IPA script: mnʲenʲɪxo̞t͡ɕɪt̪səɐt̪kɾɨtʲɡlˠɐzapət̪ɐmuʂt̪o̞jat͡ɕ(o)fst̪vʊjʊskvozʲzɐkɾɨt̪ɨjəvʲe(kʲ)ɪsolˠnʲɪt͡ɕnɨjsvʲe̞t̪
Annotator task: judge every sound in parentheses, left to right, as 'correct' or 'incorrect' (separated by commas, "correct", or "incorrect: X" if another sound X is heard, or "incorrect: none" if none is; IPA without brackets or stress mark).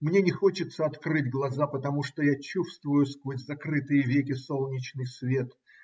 incorrect: u, correct